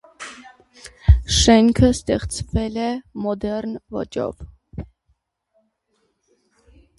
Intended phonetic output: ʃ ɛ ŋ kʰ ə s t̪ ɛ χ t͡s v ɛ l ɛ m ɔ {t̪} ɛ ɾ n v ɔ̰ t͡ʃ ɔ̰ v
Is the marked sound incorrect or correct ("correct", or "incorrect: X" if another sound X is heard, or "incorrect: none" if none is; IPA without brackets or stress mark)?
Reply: incorrect: d̪